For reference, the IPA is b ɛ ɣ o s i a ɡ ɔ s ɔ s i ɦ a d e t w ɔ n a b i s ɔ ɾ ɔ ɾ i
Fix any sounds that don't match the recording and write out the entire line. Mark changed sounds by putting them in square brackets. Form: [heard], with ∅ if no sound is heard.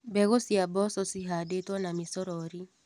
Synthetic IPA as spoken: b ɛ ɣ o s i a [b] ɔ s ɔ s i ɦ a d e t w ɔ n a [m] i s ɔ ɾ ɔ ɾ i